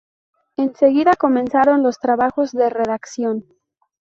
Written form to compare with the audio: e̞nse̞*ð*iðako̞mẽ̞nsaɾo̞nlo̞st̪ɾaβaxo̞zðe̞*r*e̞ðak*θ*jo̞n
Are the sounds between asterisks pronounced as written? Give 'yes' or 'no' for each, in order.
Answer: no, yes, no

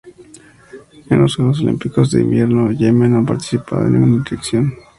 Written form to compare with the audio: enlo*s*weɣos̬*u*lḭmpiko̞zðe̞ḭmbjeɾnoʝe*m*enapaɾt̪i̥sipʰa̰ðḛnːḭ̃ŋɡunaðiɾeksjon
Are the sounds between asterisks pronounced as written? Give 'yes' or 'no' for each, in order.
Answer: yes, no, yes

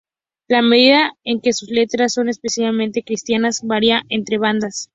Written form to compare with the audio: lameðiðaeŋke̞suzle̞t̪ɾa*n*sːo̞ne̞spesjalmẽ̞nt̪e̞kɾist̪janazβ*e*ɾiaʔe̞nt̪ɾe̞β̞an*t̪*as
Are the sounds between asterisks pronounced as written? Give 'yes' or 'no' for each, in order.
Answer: no, no, no

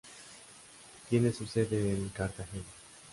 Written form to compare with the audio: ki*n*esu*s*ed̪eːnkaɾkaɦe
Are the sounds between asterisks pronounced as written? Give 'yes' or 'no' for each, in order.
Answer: yes, yes

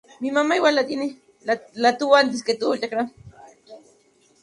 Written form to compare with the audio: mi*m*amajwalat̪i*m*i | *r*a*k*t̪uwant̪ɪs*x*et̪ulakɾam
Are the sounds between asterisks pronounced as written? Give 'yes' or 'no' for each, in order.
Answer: yes, no, no, no, no

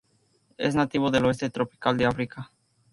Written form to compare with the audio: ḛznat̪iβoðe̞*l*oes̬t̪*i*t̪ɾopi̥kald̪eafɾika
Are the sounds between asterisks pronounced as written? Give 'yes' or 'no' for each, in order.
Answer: yes, no

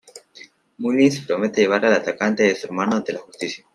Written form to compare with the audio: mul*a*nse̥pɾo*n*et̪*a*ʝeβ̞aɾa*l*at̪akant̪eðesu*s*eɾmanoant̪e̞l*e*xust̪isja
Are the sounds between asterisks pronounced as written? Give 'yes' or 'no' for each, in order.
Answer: no, no, no, yes, no, no

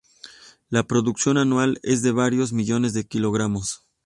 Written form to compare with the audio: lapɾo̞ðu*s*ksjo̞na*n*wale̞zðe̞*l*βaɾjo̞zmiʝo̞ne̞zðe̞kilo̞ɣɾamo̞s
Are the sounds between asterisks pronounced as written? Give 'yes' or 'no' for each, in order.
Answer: no, yes, no

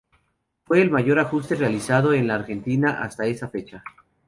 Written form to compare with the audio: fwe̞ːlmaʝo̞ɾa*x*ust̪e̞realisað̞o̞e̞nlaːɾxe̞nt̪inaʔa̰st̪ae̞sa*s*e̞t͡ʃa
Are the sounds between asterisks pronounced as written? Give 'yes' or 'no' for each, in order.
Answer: yes, no

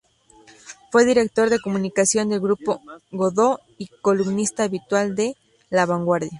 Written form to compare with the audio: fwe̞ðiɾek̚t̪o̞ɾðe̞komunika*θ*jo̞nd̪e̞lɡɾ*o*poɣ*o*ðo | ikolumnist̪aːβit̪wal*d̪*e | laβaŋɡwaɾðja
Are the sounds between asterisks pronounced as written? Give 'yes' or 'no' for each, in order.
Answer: no, no, yes, yes

